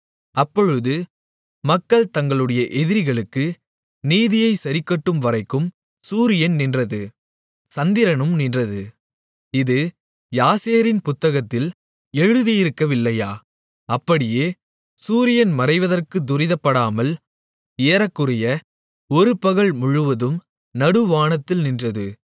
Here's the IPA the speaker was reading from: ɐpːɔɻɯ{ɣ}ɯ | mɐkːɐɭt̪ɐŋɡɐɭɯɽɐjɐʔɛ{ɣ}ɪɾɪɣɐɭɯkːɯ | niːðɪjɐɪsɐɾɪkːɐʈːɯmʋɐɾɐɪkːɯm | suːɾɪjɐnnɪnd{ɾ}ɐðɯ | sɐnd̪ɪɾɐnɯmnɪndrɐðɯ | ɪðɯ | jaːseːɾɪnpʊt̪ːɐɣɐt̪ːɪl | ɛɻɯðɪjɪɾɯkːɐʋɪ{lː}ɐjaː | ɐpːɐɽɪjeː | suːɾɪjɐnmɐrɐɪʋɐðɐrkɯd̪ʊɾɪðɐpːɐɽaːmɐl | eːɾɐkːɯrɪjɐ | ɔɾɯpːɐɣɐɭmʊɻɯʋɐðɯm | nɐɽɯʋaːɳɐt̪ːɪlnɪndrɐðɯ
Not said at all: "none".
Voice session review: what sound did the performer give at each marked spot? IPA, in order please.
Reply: ð, ð, r, lː

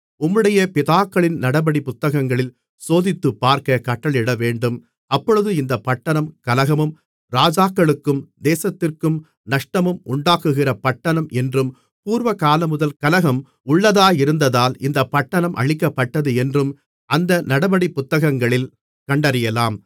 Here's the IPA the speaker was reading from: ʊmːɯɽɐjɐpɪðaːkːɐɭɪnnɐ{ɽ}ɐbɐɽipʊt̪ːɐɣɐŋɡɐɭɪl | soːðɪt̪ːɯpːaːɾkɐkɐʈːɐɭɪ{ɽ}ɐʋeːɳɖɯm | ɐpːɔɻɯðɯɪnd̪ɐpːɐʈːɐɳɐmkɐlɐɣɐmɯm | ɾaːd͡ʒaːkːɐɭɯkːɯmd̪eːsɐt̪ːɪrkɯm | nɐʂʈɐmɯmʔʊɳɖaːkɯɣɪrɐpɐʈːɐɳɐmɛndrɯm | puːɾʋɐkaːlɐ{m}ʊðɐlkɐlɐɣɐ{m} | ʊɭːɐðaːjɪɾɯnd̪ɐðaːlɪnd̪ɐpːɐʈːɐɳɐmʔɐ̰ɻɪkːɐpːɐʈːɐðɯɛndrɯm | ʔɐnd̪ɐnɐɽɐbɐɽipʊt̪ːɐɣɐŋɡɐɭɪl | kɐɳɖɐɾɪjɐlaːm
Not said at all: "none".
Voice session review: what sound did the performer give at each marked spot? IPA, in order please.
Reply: ɽ, ɽ, m, m

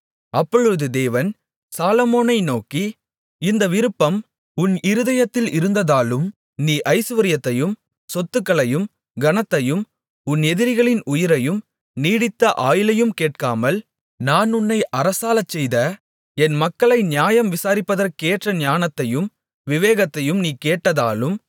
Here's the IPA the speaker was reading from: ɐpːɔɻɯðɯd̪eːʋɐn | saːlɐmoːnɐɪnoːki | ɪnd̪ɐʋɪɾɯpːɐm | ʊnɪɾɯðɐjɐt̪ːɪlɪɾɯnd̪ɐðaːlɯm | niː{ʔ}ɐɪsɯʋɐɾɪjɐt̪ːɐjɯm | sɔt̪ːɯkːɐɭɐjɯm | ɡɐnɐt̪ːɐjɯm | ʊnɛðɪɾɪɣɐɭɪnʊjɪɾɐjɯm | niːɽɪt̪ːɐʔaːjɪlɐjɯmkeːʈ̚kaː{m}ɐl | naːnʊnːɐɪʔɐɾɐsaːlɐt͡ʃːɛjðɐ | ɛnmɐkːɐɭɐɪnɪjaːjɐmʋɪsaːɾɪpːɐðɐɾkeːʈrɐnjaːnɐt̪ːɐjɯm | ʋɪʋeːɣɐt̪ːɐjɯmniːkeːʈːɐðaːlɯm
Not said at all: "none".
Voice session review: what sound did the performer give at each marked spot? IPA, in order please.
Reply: ʔ, m

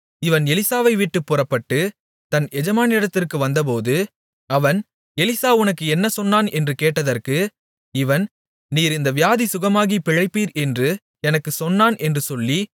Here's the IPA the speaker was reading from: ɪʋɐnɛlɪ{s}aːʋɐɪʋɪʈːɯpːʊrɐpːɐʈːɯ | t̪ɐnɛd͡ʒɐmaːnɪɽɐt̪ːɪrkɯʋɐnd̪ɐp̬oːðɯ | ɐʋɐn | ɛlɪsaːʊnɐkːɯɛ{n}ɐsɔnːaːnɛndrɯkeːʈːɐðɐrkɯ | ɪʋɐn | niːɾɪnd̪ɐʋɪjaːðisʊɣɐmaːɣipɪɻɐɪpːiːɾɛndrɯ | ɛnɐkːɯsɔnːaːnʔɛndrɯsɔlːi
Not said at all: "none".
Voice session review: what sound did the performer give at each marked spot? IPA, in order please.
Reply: s, nː

